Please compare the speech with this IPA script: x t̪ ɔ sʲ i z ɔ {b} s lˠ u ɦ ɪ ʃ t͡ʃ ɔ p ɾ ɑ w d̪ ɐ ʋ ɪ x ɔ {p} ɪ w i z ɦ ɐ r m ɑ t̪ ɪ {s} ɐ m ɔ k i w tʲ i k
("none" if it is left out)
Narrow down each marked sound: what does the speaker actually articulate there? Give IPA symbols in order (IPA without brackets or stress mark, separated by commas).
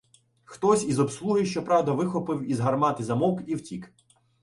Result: b, p, z